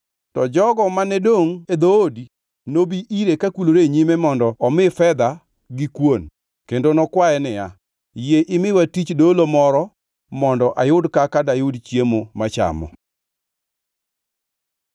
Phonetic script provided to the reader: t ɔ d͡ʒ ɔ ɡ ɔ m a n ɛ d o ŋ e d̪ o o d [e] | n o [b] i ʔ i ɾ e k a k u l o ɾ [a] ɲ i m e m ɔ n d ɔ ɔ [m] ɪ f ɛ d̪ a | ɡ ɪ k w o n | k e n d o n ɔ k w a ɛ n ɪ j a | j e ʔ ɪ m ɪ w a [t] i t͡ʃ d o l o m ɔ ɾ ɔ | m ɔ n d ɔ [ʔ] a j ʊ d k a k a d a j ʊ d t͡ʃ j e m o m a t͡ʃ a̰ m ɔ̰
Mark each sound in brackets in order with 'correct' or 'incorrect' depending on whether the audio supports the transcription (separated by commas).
incorrect, correct, incorrect, correct, correct, correct